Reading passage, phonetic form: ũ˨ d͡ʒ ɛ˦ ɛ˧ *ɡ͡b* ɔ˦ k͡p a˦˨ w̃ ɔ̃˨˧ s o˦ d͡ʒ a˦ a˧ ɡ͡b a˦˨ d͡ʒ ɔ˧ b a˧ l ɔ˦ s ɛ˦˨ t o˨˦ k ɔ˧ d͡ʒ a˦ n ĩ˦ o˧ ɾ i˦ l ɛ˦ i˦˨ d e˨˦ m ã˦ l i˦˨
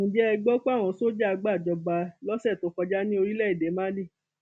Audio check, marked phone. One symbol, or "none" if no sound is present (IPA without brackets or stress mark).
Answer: ɡ͡b